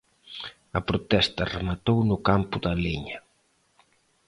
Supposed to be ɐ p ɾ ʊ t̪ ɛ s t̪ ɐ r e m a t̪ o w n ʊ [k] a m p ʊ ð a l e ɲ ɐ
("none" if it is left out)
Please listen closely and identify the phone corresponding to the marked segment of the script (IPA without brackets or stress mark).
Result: k